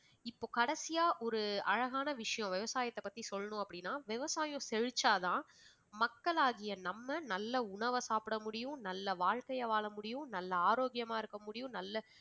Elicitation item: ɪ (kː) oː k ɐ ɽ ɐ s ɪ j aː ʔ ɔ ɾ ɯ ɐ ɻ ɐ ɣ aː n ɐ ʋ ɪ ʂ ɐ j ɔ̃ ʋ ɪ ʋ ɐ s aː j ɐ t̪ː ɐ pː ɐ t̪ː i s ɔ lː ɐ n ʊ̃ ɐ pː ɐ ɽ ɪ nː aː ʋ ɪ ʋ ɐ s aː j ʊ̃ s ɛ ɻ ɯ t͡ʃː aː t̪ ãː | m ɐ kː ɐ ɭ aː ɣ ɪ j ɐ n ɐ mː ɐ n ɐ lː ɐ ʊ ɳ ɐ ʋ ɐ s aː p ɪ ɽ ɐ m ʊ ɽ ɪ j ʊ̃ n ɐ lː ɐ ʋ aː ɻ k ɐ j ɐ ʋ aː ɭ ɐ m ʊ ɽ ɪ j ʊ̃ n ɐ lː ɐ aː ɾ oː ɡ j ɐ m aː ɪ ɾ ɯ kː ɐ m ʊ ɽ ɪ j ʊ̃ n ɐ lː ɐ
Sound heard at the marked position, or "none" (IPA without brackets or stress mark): pː